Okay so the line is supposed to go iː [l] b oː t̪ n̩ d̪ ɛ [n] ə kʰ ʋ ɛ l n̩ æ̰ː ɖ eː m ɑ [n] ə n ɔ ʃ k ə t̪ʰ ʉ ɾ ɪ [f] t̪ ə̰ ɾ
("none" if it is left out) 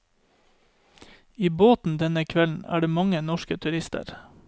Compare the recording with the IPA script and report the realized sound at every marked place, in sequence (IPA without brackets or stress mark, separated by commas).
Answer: none, n, ŋ, s